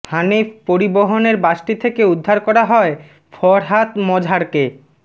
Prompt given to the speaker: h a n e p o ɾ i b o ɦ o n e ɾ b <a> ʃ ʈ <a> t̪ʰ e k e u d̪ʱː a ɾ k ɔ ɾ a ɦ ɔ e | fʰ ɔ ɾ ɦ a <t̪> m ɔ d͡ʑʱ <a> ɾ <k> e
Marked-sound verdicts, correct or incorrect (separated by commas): correct, incorrect, correct, correct, correct